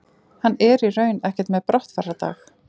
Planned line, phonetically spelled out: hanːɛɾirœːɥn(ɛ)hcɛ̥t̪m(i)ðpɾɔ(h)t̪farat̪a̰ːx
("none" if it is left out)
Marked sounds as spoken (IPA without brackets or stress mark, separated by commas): ɛ, ɛ, h